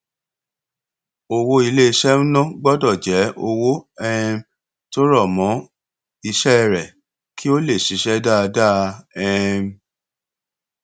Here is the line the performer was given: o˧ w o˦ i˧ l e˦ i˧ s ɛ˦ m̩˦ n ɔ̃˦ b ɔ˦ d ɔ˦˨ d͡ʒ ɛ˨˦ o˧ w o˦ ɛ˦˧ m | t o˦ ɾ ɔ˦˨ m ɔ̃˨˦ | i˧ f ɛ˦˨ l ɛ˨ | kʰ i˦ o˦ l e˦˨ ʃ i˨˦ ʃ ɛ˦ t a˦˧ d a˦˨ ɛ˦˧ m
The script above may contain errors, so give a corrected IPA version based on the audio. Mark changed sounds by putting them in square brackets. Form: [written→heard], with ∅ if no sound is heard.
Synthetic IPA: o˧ w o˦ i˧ l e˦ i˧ [s→ʃ] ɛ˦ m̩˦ n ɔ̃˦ [b→ɡ͡b] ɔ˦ d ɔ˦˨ d͡ʒ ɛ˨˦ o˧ w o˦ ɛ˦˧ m | t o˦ ɾ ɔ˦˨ m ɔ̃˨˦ | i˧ [f→ʃ] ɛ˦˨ [l→ɾ] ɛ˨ | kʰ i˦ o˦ l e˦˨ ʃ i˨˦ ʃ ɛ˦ [t→d] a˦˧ d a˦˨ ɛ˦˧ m

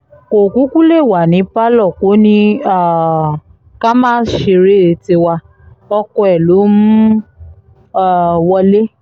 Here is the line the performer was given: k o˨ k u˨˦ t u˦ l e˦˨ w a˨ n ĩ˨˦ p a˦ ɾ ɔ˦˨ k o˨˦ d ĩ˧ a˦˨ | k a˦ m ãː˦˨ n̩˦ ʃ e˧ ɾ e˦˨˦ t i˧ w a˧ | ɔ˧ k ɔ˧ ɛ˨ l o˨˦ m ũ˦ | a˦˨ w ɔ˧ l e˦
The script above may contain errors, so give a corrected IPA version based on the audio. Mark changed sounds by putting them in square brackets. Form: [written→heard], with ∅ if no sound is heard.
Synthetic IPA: k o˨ k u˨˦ [t→k] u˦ l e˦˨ w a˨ n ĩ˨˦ p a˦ [ɾ→l] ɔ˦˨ k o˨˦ [d→n] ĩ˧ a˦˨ | k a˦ m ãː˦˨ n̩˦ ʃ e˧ ɾ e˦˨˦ t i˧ w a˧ | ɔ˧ k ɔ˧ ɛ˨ l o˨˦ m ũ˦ | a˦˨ w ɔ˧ l e˦

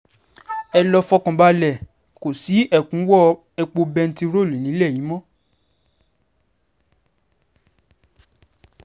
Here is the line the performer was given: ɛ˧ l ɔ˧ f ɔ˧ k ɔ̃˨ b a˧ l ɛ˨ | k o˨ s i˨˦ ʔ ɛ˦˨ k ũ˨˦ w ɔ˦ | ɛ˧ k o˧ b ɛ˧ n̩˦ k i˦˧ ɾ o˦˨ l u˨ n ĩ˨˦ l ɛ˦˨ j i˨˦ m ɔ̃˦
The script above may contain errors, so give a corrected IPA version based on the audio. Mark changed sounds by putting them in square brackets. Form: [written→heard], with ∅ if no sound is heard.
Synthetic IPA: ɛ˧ l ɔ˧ f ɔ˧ k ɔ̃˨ b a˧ l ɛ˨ | k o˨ s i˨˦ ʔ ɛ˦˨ k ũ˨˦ w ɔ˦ | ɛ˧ [k→k͡p] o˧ b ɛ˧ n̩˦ [k→t] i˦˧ ɾ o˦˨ l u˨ n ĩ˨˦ l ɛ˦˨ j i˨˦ m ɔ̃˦

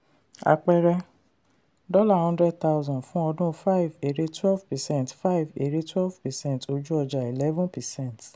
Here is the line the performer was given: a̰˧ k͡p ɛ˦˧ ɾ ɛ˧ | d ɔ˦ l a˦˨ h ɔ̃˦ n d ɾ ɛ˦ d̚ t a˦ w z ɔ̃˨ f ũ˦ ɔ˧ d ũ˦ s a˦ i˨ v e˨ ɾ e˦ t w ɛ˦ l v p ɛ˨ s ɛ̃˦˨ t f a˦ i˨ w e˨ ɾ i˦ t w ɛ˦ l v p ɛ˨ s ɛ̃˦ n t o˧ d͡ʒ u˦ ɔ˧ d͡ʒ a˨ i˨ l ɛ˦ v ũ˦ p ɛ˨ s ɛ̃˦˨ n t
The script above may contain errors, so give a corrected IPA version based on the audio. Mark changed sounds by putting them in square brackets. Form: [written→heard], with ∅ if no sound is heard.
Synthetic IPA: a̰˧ k͡p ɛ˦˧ ɾ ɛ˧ | d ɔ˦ l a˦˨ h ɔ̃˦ n d ɾ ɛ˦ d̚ t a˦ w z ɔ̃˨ f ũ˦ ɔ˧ d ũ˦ [s→f] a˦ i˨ v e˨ ɾ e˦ t w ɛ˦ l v p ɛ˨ s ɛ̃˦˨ t f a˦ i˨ [w→v] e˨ ɾ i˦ t w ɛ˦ l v p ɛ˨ s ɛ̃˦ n t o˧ d͡ʒ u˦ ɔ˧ d͡ʒ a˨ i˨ l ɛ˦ v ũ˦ p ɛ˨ s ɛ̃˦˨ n t

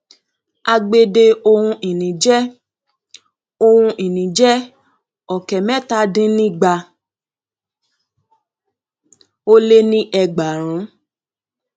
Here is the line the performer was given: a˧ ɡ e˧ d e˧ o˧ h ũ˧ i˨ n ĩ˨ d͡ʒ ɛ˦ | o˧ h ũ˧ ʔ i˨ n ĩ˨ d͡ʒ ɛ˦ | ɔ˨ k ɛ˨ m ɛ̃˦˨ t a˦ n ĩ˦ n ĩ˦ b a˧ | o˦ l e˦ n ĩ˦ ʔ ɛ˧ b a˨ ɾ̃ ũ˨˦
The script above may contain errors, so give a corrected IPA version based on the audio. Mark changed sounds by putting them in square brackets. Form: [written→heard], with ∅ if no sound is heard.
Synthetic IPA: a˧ [ɡ→ɡ͡b] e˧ d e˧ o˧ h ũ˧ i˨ n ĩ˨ d͡ʒ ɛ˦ | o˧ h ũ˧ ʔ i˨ n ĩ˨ d͡ʒ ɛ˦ | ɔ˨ k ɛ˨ m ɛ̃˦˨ t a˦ [n→d] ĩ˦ n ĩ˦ [b→ɡ͡b] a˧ | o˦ l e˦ n ĩ˦ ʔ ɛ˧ [b→ɡ͡b] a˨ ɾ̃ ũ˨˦

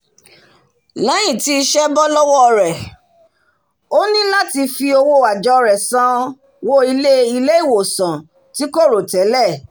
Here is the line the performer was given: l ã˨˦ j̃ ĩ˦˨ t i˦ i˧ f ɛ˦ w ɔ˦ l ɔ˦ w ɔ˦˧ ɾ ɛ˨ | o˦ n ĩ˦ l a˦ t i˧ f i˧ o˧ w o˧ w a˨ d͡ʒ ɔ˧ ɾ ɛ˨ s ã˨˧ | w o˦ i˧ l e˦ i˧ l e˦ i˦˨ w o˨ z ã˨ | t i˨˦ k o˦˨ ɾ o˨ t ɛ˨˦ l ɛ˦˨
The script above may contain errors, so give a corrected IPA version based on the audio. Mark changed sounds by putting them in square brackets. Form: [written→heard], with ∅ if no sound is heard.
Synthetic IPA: l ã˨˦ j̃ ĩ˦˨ t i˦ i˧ [f→ʃ] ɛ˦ [w→b] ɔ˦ l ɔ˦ w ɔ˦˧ ɾ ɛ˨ | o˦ n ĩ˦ l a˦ t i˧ f i˧ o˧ w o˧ w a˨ d͡ʒ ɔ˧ ɾ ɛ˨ s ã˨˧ | w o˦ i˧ l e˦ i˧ l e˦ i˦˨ w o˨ [z→s] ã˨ | t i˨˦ k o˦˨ ɾ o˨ t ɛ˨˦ l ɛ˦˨

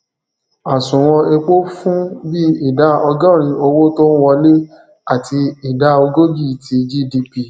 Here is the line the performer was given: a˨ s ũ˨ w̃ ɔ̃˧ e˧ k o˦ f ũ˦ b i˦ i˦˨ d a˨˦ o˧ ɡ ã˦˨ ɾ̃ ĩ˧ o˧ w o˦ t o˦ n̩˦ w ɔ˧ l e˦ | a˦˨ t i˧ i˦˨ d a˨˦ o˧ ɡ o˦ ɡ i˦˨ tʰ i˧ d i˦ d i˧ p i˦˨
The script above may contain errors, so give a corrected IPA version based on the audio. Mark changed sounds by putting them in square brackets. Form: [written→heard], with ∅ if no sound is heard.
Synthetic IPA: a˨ s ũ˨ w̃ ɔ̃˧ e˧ [k→k͡p] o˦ f ũ˦ b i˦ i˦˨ d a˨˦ [o˧→ɔ˧] ɡ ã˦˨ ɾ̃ ĩ˧ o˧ w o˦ t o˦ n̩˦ w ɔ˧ l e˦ | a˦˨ t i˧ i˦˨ d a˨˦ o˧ ɡ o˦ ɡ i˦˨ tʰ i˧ [d→d͡ʒ] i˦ d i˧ p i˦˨

